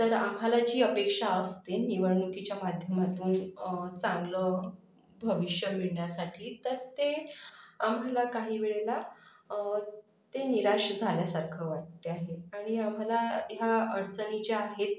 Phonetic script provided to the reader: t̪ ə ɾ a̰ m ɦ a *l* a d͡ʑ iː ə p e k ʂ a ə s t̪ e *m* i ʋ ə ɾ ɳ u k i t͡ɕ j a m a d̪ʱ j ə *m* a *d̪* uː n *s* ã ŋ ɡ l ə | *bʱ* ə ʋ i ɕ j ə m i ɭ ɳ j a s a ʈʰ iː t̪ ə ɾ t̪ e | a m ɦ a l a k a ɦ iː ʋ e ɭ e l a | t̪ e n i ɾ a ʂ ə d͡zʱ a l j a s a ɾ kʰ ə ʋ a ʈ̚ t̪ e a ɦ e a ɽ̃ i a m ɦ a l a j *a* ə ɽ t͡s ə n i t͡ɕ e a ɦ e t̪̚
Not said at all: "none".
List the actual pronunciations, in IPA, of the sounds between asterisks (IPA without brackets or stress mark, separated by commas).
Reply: l, n, m, d̪, t͡s, bʱ, a